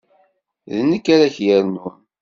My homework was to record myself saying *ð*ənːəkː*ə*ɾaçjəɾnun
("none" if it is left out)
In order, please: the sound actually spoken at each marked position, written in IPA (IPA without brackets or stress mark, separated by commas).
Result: ð, a